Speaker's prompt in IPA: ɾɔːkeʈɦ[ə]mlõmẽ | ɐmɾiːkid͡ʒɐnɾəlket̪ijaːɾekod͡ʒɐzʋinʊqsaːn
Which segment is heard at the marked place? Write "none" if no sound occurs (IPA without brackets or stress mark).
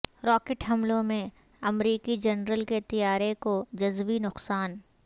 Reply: ɐ